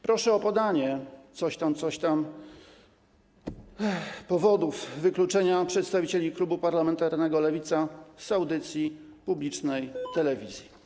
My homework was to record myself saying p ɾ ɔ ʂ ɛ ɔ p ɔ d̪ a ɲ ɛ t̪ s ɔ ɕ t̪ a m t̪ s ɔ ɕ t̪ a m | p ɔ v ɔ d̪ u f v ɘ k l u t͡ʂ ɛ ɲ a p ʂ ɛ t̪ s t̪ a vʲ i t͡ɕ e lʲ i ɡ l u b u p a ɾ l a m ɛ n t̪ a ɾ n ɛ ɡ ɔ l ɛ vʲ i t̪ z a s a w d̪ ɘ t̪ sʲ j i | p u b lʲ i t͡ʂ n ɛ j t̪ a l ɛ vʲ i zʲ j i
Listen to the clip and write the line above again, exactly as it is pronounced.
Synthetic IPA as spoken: p ɾ ɔ ʂ ɛ ɔ p ɔ d̪ a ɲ ɛ t̪ s ɔ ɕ t̪ a m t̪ s ɔ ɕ t̪ a m | p ɔ v ɔ d̪ u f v ɘ k l u t͡ʂ ɛ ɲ a p ʂ ɛ t̪ s t̪ a vʲ i t͡ɕ e lʲ i k l u b u p a ɾ l a m ɛ n t̪ a ɾ n ɛ ɡ ɔ l ɛ vʲ i t̪ s a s a w d̪ ɘ t̪ sʲ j i | p u b lʲ i t͡ʂ n ɛ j t̪ ɛ l ɛ vʲ i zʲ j i

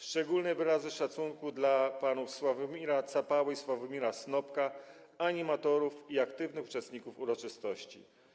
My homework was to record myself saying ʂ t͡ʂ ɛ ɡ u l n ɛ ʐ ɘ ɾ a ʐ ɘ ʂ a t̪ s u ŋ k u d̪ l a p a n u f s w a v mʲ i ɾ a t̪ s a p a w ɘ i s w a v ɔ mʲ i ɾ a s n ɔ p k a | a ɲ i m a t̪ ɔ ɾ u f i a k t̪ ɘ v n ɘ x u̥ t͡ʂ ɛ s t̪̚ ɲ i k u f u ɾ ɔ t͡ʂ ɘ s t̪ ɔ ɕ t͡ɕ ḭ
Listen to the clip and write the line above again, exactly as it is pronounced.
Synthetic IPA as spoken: ʂ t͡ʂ ɛ ɡ u l n ɛ v ɘ ɾ a z ɘ ʂ a t̪ s u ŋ k u d̪ l a p a n u f s w a v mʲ i ɾ a t̪ s a p a w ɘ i s w a v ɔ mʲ i ɾ a s n ɔ p k a | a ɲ i m a t̪ ɔ ɾ u f i a k t̪ ɘ v n ɘ x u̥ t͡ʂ ɛ s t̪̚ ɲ i k u f u ɾ ɔ t͡ʂ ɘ s t̪ ɔ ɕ t͡ɕ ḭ

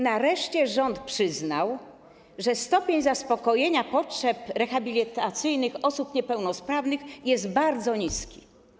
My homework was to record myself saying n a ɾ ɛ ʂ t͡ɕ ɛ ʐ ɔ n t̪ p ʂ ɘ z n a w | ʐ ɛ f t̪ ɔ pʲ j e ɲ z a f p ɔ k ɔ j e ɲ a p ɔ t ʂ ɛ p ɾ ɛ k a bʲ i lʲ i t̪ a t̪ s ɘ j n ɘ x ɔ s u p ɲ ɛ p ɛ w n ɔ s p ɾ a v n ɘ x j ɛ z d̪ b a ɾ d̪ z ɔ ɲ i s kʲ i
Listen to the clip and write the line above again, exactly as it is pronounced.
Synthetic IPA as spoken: n a ɾ ɛ ʂ t͡ɕ ɛ ʐ ɔ n t̪ p ʂ ɘ z n a w | ʐ ɛ s t̪ ɔ pʲ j e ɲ z a s p ɔ k ɔ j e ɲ a p ɔ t ʂ ɛ p ɾ ɛ x a bʲ i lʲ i t̪ a t̪ s ɘ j n ɘ x ɔ s u p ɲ ɛ p ɛ w n ɔ s p ɾ a v n ɘ x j ɛ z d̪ b a ɾ d̪ z ɔ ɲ i s kʲ i

